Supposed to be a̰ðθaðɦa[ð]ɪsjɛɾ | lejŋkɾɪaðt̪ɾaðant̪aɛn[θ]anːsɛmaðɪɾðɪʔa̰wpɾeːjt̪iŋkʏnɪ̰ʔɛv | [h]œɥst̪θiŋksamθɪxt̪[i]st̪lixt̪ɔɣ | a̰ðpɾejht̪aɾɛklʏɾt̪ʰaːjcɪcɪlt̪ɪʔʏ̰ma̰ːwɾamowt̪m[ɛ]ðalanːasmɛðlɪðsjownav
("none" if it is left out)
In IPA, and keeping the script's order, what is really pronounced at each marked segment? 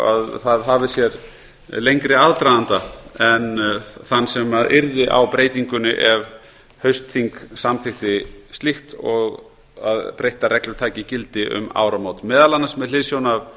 v, θ, h, ɪ, ɛː

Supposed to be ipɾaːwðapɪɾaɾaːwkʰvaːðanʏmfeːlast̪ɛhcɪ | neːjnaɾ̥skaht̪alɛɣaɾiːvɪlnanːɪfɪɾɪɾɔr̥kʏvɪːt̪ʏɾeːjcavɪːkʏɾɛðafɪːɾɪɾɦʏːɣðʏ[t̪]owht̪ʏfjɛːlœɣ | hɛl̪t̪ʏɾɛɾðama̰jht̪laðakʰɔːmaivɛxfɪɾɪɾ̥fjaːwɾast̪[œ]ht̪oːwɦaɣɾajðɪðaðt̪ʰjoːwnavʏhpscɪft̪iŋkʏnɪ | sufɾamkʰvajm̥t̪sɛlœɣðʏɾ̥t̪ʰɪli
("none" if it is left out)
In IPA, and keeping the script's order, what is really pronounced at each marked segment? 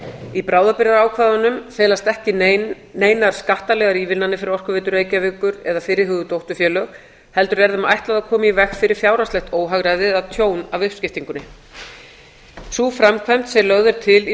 t̪, ɛ

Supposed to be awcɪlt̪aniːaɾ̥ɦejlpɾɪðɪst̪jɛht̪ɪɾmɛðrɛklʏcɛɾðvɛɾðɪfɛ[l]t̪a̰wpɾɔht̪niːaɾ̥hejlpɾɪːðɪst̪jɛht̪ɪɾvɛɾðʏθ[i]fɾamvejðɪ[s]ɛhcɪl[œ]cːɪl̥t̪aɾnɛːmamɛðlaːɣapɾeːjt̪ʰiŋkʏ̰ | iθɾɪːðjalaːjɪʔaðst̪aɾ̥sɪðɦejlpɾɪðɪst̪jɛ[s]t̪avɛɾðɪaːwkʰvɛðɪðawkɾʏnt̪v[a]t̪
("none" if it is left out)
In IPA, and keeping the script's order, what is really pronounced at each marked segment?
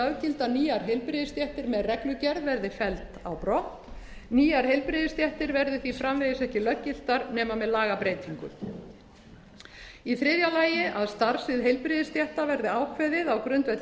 l, i, s, œ, h, ɛ

